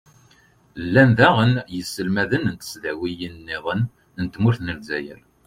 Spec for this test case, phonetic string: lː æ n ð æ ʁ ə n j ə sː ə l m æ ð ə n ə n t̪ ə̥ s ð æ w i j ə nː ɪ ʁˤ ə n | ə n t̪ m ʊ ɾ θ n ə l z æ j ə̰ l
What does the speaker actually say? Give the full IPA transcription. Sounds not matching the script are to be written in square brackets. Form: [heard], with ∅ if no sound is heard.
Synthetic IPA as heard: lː æ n ð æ ʁ ə n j ə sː ə l m æ ð ə n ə n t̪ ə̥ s ð æ w i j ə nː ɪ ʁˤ ə n | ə n t̪ m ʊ ɾ θ n ə l z æ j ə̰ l